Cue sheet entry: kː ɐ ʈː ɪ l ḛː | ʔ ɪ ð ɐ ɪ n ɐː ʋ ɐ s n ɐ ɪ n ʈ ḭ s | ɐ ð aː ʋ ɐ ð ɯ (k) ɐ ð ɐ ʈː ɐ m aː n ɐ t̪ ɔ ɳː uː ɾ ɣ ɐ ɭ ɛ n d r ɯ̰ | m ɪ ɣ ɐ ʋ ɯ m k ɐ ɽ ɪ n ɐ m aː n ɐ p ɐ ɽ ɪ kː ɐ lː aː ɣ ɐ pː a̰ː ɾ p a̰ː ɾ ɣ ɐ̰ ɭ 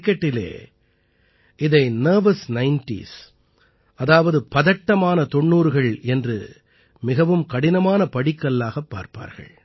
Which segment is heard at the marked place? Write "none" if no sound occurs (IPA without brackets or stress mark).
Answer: p